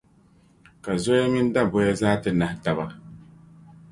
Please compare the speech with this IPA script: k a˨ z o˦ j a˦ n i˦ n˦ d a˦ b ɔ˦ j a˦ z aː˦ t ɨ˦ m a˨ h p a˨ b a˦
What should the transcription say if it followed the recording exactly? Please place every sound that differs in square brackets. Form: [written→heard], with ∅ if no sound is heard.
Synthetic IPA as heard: k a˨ z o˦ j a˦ [n→m] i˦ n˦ d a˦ b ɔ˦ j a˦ z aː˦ t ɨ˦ [m→n] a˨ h [p→t] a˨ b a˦